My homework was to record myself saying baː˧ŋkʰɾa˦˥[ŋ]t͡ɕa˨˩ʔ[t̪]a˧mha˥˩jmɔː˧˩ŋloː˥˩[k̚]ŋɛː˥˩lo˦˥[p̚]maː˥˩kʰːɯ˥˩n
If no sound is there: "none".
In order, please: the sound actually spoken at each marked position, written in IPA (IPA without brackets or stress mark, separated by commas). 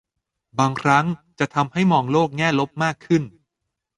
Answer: ŋ, t̪ʰ, k̚, p̚